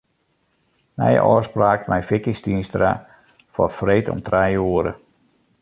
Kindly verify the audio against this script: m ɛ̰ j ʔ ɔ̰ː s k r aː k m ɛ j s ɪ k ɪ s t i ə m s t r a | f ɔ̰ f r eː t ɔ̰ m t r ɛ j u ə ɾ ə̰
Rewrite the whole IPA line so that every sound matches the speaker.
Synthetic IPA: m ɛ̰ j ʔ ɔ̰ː s p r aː k m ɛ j f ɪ k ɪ s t i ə n s t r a | f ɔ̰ f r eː t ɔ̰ m t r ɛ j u ə ɾ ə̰